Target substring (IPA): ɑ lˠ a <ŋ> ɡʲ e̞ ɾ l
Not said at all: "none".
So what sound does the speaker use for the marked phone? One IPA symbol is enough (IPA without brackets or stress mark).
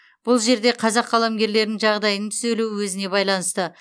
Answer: m